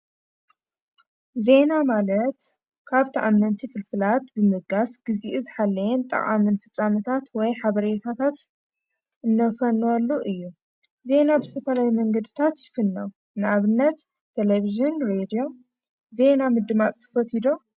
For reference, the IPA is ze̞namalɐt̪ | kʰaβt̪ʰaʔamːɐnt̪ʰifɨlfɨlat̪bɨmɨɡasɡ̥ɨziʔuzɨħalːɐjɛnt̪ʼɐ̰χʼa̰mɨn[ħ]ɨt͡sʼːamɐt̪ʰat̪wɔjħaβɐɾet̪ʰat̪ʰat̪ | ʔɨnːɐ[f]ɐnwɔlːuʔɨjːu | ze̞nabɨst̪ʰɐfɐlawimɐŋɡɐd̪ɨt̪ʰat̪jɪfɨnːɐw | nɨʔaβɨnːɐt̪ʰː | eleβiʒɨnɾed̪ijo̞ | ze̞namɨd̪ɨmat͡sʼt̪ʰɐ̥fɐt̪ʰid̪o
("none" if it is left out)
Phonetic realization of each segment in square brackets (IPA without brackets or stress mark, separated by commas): f, f